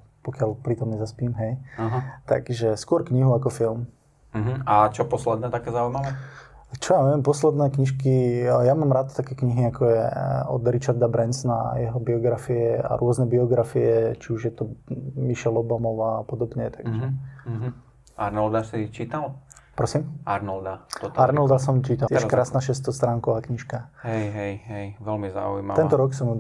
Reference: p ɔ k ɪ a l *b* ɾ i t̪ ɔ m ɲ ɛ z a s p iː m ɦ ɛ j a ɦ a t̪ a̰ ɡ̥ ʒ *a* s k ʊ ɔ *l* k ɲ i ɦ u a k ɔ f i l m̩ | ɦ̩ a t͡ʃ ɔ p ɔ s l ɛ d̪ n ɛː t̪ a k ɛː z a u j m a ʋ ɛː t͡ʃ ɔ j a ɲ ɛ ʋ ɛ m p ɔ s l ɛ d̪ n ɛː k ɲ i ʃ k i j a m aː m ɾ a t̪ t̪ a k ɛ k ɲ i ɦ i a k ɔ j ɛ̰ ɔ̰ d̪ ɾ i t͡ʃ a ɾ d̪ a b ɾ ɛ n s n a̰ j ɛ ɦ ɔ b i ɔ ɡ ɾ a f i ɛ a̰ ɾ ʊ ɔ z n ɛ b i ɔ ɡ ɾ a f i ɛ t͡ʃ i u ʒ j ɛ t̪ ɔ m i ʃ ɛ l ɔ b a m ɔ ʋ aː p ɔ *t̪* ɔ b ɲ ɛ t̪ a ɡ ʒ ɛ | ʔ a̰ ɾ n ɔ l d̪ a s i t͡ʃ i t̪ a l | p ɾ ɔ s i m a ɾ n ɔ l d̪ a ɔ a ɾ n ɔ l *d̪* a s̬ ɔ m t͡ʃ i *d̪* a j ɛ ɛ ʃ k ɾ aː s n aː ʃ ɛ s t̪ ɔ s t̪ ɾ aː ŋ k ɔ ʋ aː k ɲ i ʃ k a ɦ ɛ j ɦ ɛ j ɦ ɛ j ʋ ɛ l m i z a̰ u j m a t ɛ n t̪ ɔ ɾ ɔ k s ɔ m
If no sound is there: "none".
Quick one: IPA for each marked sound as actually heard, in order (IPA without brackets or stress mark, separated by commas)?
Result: p, ɛ, ɾ, d̪, d̪, t̪